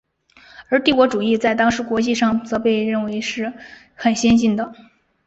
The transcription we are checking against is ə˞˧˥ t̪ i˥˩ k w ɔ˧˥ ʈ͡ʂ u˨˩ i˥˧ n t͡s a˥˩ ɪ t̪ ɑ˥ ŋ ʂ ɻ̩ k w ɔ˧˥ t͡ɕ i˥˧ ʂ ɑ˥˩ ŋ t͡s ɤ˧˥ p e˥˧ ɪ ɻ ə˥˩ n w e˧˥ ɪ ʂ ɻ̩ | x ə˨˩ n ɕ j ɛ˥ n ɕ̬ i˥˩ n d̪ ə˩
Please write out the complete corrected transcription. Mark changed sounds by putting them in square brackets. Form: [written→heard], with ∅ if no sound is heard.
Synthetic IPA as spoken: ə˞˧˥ t̪ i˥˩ k w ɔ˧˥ ʈ͡ʂ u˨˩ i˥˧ [n→∅] t͡s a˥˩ ɪ t̪ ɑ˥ ŋ ʂ ɻ̩ k w ɔ˧˥ t͡ɕ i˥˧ ʂ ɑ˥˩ ŋ t͡s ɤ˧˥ p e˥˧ ɪ ɻ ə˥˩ n w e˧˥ ɪ ʂ ɻ̩ | x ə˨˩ n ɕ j ɛ˥ n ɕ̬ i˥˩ n d̪ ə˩